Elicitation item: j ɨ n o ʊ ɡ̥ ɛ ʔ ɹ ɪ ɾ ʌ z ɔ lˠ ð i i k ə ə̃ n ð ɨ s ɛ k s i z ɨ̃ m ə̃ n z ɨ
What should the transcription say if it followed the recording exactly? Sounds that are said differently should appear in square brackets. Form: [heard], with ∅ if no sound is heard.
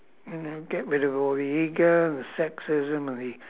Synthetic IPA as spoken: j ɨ n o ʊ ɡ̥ ɛ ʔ ɹ ɪ ɾ ʌ [v] ɔ lˠ ð i i [ɡ] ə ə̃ n ð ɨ s ɛ k s [ɪ] z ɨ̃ m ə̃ n [ð] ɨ